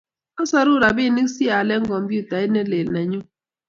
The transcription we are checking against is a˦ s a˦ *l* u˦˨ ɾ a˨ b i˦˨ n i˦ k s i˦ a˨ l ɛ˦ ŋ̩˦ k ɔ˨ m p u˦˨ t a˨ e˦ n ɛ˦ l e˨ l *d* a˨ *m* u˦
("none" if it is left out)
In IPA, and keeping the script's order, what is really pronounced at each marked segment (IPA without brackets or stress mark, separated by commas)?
ɾ, n, ɲ